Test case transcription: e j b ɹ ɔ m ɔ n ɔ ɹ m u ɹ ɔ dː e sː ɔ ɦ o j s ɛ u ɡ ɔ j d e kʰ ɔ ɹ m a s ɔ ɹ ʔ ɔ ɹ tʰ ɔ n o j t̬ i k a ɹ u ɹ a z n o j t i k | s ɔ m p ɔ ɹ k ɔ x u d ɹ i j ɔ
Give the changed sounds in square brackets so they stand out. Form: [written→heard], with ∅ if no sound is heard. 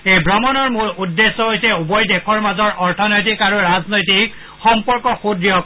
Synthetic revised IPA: e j b ɹ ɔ m ɔ n ɔ ɹ m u ɹ [ɔ→u] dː e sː ɔ ɦ o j s ɛ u [ɡ→b] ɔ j d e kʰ ɔ ɹ m a [s→z] ɔ ɹ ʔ ɔ ɹ tʰ ɔ n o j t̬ i k a ɹ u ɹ a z n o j t i k | [s→x] ɔ m p ɔ ɹ k ɔ x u d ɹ i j ɔ